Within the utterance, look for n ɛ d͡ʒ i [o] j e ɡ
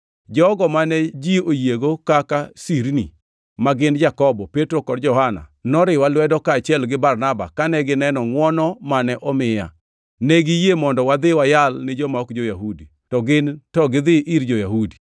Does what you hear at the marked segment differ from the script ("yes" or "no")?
no